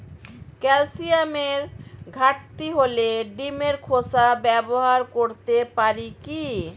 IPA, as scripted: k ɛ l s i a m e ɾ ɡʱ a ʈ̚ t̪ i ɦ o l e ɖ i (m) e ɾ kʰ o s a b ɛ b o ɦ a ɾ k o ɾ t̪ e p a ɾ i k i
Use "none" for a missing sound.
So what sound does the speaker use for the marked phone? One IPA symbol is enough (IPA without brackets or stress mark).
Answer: m